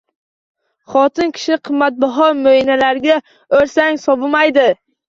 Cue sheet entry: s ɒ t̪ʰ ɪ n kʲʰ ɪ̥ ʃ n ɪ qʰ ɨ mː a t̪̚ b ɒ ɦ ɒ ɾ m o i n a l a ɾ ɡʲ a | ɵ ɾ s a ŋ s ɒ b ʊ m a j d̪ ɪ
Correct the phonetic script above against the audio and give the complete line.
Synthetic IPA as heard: χ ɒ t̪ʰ ɪ n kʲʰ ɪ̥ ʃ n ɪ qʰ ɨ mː a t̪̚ b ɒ ɦ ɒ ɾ m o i n a l a ɾ ɡʲ a | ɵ ɾ s a ŋ s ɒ b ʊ m a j d̪ ɪ